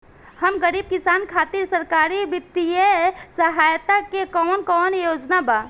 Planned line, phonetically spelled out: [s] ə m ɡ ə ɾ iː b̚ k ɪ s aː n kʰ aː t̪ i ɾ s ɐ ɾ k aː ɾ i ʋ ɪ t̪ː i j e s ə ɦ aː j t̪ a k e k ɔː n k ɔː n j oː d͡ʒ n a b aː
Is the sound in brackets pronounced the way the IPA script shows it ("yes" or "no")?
no